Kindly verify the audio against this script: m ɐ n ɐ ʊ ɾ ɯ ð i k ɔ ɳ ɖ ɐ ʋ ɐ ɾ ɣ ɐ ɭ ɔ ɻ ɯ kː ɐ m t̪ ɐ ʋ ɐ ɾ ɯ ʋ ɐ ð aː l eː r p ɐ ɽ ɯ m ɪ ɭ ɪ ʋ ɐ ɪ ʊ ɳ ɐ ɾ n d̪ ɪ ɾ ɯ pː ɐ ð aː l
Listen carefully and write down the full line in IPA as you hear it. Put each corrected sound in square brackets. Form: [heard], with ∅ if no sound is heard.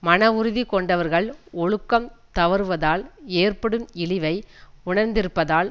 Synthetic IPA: m ɐ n ɐ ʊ ɾ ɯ ð i k ɔ ɳ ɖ ɐ ʋ ɐ ɾ ɣ ɐ ɭ ɔ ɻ ɯ kː ɐ m t̪ ɐ ʋ ɐ ɾ ɯ ʋ ɐ ð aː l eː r p ɐ ɽ ɯ m ɪ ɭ ɪ ʋ ɐ ɪ ʊ ɳ ɐ ɾ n d̪ ɪ ɾ ɯ pː ɐ ð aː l

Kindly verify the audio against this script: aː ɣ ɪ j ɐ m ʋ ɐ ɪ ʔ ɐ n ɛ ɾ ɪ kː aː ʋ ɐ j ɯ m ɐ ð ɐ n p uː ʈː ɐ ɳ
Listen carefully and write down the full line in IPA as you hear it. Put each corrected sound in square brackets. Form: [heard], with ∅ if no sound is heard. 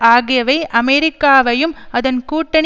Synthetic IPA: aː ɣ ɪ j ɐ [∅] ʋ ɐ ɪ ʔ ɐ [m] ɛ ɾ ɪ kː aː ʋ ɐ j ɯ m ɐ ð ɐ n [k] uː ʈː ɐ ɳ

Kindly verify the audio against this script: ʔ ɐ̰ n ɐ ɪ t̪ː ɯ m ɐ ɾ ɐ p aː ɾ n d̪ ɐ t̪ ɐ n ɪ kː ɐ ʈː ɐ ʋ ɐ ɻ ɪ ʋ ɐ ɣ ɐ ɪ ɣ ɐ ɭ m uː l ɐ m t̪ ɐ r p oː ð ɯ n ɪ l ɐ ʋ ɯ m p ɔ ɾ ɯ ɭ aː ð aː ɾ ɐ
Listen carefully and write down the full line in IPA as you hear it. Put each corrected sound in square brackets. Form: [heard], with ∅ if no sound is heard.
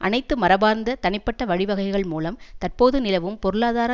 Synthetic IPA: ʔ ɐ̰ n ɐ ɪ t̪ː ɯ m ɐ ɾ ɐ [b] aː ɾ n d̪ ɐ t̪ ɐ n ɪ [pː] ɐ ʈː ɐ ʋ ɐ ɻ ɪ ʋ ɐ ɣ ɐ ɪ ɣ ɐ ɭ m uː l ɐ m t̪ ɐ r p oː ð ɯ n ɪ l ɐ ʋ ɯ m p ɔ ɾ ɯ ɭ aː ð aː ɾ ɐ

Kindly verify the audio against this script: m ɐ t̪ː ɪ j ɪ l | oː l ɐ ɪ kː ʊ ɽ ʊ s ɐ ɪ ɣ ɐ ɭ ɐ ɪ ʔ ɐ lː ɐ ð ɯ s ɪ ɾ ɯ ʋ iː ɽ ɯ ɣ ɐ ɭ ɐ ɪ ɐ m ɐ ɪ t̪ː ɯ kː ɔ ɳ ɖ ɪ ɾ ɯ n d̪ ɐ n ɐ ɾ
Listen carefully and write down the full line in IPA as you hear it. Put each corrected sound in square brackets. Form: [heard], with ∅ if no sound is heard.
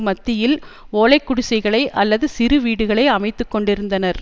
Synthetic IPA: m ɐ t̪ː ɪ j ɪ l | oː l ɐ ɪ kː ʊ ɽ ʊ s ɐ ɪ ɣ ɐ ɭ ɐ ɪ ʔ ɐ lː ɐ ð ɯ s ɪ ɾ ɯ ʋ iː ɽ ɯ ɣ ɐ ɭ ɐ ɪ ɐ m ɐ ɪ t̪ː ɯ kː ɔ ɳ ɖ ɪ ɾ ɯ n d̪ ɐ n ɐ ɾ

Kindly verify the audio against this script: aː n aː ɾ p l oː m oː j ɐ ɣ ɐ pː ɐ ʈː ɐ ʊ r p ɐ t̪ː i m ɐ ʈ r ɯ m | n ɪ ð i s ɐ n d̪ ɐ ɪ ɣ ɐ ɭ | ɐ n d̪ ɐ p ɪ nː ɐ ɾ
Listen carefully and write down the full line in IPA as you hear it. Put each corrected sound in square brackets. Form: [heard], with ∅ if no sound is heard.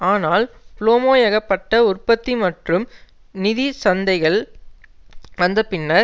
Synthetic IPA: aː n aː [l] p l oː m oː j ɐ ɣ ɐ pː ɐ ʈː ɐ ʊ r p ɐ t̪ː i m ɐ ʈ r ɯ m | n ɪ ð i s ɐ n d̪ ɐ ɪ ɣ ɐ ɭ | ɐ n d̪ ɐ p ɪ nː ɐ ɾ

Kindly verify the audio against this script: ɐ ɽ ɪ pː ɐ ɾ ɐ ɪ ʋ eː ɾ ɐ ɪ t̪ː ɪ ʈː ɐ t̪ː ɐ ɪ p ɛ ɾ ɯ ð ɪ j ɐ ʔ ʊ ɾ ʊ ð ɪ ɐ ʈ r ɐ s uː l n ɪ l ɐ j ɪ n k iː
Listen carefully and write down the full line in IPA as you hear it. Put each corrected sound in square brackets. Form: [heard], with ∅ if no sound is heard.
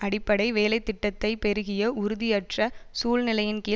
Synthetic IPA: ɐ ɽ ɪ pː ɐ [ɽ] ɐ ɪ ʋ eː [l] ɐ ɪ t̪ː ɪ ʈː ɐ t̪ː ɐ ɪ p ɛ ɾ ɯ [ɣ] ɪ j ɐ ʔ ʊ ɾ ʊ ð ɪ ɐ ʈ r ɐ s uː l n ɪ l ɐ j ɪ n k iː

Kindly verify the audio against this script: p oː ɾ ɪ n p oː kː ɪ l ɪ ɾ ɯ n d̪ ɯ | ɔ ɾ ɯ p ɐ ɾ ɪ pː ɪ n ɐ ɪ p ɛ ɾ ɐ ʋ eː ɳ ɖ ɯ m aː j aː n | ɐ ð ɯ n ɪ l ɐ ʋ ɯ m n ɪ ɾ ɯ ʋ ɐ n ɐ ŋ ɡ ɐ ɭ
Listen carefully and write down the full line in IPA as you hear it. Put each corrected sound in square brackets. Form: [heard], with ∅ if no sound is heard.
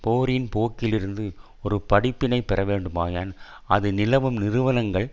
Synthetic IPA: p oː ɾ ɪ n p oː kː ɪ l ɪ ɾ ɯ n d̪ ɯ | ɔ ɾ ɯ p ɐ [ɽ] ɪ pː ɪ n ɐ ɪ p ɛ ɾ ɐ ʋ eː ɳ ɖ ɯ m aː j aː n | ɐ ð ɯ n ɪ l ɐ ʋ ɯ m n ɪ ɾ ɯ ʋ ɐ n ɐ ŋ ɡ ɐ ɭ

